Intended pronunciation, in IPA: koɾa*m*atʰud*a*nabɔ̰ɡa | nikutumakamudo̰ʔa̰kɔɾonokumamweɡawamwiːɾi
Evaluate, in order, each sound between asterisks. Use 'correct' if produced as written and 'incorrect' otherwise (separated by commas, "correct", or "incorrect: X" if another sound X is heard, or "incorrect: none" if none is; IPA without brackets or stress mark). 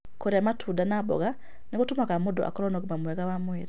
correct, correct